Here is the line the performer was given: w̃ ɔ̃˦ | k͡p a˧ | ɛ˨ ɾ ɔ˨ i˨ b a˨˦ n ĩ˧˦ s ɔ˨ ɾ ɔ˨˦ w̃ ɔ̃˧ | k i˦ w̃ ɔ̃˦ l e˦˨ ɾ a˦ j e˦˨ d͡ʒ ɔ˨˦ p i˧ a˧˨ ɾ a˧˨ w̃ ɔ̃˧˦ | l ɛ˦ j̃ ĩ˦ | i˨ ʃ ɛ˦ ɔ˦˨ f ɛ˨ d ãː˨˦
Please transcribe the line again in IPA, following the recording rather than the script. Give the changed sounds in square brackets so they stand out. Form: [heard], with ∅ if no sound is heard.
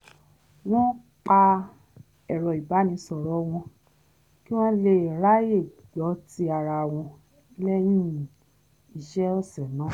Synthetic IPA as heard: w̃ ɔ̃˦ | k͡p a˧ | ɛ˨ ɾ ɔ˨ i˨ b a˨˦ n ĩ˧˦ s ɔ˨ ɾ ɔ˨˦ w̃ ɔ̃˧ | k i˦ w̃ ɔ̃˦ l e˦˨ ɾ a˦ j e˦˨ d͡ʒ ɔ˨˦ [t] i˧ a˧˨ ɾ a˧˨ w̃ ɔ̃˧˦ | l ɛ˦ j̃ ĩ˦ | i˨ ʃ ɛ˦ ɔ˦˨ [s] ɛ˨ [n] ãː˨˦